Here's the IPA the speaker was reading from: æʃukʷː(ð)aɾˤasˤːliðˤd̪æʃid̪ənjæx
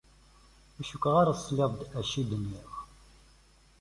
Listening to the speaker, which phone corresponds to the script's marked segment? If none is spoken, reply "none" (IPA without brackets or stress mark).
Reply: ʁ